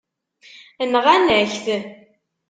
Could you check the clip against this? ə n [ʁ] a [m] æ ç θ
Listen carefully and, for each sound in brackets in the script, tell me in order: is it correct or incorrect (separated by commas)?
correct, incorrect